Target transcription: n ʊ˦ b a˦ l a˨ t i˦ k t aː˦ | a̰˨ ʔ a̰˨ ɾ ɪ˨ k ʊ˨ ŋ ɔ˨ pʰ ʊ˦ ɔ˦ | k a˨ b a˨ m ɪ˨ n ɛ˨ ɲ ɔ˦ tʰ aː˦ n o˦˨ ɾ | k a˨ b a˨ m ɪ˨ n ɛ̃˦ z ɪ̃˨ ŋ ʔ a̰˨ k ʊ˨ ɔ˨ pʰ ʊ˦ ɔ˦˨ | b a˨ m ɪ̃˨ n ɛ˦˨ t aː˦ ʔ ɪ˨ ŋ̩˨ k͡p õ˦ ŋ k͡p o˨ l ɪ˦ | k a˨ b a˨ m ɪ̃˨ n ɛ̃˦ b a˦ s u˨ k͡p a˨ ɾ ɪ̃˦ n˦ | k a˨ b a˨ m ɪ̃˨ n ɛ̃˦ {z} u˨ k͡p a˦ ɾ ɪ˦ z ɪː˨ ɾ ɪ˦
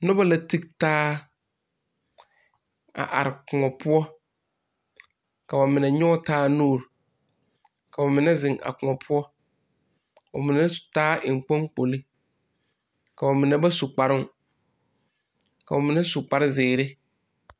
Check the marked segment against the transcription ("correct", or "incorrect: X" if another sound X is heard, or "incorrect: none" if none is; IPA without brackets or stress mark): incorrect: s